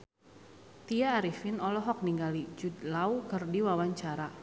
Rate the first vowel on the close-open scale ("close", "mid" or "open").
close